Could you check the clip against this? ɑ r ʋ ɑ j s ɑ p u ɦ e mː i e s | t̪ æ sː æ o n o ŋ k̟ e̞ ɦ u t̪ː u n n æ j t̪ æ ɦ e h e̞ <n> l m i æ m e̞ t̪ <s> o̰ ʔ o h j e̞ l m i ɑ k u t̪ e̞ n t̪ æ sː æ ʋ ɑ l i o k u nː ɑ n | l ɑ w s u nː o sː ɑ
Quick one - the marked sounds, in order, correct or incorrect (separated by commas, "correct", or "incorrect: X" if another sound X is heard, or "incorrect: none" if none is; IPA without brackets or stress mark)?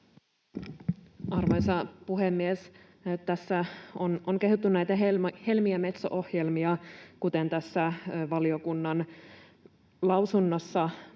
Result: incorrect: none, correct